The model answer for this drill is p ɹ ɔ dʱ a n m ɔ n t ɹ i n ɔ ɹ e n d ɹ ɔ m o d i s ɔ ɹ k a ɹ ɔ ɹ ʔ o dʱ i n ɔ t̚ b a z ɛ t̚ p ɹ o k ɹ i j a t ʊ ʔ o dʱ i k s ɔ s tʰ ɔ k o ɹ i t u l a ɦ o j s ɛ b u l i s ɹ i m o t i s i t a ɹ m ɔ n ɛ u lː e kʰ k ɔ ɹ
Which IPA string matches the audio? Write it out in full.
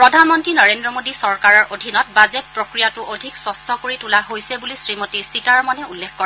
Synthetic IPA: p ɹ ɔ dʱ a n m ɔ n t ɹ i n ɔ ɹ e n d ɹ ɔ m o d i s ɔ ɹ k a ɹ ɔ ɹ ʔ o dʱ i n ɔ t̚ b a z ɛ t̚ p ɹ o k ɹ i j a t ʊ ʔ o dʱ i k s ɔ s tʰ ɔ k o ɹ i t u l a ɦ o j s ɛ b u l i s ɹ i m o t i s i t a ɹ m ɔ n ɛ u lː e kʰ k ɔ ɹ